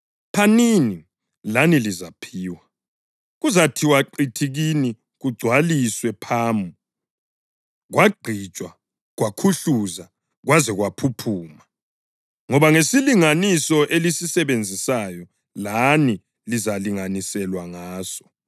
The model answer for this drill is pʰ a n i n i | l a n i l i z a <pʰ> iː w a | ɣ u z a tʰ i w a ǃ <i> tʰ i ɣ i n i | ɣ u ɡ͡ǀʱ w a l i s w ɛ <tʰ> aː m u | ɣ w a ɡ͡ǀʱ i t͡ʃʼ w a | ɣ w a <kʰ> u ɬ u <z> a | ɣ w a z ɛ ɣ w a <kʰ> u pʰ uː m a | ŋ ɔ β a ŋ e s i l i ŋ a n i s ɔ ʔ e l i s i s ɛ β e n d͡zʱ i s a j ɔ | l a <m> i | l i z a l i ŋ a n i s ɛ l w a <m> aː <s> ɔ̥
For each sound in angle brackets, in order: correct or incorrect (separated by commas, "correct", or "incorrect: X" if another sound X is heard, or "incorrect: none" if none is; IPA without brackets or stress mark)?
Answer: correct, correct, incorrect: pʰ, correct, correct, incorrect: pʰ, incorrect: n, incorrect: ŋ, correct